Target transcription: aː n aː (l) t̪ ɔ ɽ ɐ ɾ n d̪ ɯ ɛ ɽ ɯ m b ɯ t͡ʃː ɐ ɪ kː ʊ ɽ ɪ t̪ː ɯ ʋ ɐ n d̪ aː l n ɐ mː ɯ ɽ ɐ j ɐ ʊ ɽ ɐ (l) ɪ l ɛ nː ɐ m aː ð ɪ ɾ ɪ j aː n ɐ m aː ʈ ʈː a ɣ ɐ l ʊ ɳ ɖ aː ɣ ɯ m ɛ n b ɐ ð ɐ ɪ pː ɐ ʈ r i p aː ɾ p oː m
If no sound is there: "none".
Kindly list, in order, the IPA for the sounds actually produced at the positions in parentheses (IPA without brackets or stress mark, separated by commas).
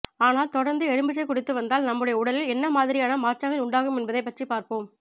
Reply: l, l